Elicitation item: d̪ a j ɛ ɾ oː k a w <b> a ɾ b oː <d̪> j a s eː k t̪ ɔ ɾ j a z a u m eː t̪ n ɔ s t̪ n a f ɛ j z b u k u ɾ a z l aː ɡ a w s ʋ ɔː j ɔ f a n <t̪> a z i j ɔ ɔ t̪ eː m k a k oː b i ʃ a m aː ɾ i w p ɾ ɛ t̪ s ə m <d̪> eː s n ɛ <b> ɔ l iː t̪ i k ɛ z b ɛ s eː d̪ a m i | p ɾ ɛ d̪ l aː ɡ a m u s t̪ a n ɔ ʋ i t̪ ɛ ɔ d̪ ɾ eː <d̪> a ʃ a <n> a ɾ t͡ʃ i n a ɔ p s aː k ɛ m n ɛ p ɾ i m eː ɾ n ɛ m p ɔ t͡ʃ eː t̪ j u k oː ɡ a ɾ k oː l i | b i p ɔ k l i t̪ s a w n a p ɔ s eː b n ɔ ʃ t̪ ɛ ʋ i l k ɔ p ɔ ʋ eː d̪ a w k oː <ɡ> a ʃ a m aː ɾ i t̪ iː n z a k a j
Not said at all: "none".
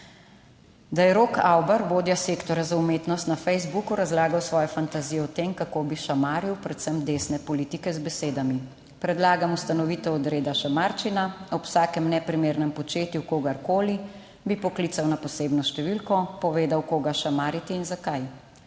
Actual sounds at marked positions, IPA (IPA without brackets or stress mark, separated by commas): b, d̪, t̪, d̪, p, d̪, m, ɡ